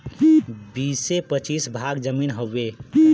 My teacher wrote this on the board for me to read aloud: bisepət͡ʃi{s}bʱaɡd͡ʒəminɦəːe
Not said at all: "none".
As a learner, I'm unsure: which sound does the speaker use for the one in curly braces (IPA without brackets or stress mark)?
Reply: s